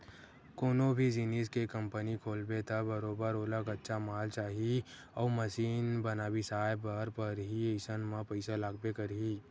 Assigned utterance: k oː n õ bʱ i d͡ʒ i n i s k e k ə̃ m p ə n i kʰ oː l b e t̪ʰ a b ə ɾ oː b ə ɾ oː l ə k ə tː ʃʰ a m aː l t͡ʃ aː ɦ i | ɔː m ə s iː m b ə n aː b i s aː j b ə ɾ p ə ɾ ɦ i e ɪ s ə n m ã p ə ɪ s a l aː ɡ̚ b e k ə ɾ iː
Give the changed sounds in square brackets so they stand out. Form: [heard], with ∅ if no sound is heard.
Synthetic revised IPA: k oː n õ bʱ i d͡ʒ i n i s k e k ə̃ m p ə n i kʰ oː l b e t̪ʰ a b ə ɾ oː b ə ɾ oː l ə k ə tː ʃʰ a m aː l t͡ʃ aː ɦ i | ɔː m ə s iː [n] b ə n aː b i s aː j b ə ɾ p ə ɾ ɦ i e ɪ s ə n m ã p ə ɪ s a l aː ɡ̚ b e k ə ɾ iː